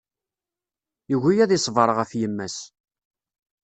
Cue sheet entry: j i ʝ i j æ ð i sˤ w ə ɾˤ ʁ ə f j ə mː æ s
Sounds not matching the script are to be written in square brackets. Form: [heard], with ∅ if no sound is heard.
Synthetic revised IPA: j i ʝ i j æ ð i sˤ [v] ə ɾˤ ʁ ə f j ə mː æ s